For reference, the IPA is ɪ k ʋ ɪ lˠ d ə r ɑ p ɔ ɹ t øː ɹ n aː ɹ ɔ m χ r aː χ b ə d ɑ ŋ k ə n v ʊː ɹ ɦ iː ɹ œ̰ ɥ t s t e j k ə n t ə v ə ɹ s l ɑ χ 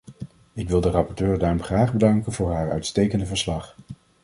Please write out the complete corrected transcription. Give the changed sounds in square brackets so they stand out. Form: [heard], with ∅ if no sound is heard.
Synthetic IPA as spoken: ɪ k ʋ ɪ lˠ d ə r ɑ p ɔ ɹ t øː ɹ [d] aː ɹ ɔ m χ r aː χ b ə d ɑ ŋ k ə n v ʊː ɹ ɦ [aː] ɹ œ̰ ɥ t s t e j k ə n [d] ə v ə ɹ s l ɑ χ